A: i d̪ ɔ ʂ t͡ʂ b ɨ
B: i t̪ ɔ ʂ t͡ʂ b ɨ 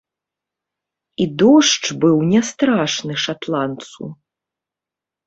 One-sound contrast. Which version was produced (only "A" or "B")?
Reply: A